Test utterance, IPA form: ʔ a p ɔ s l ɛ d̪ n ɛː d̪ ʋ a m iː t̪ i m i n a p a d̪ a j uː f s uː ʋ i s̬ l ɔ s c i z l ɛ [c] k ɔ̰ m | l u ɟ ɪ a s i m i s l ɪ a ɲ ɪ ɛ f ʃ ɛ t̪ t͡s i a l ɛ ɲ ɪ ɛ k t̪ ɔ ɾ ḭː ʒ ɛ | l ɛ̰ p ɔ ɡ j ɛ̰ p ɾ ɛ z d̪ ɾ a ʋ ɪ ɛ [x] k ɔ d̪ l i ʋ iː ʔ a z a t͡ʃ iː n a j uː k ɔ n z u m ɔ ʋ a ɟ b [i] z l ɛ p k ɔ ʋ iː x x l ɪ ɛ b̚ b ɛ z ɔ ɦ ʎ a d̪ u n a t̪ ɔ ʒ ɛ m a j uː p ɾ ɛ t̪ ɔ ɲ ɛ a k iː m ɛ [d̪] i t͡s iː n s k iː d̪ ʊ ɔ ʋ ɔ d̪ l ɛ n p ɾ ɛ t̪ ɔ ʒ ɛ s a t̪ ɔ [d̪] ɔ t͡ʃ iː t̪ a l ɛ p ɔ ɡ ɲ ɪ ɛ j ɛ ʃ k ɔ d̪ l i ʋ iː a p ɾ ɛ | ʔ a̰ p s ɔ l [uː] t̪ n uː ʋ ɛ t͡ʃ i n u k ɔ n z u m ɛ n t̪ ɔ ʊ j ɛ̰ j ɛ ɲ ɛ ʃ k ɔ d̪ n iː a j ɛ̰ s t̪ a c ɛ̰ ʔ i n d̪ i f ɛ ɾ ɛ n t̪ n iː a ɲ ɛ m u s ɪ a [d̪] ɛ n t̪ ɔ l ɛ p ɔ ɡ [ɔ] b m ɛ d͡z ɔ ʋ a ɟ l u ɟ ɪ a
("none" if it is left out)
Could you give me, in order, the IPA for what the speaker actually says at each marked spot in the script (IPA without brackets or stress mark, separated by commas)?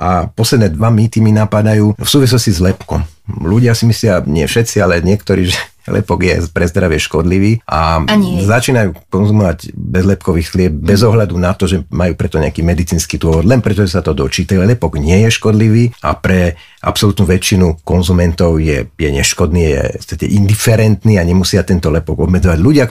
p, ʃ, ɛ, d̪, d̪, u, t̪, ɔ